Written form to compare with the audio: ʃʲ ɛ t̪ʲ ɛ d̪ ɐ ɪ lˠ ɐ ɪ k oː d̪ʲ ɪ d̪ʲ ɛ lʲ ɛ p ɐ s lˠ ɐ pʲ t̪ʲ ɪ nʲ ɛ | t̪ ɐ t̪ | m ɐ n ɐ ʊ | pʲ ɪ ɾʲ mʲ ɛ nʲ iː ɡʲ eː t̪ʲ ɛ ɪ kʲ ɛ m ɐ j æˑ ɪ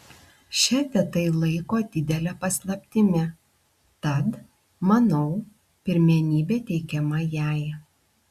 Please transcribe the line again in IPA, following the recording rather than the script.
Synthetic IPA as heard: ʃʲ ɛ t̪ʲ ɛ t̪ ɐ ɪ lˠ ɐ ɪ k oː d̪ʲ ɪ d̪ʲ ɛ lʲ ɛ p ɐ s lˠ ɐ pʲ t̪ʲ ɪ mʲ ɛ | t̪ ɐ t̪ | m ɐ n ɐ ʊ | pʲ ɪ ɾʲ mʲ ɛ nʲ iː bʲ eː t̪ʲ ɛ ɪ kʲ ɛ m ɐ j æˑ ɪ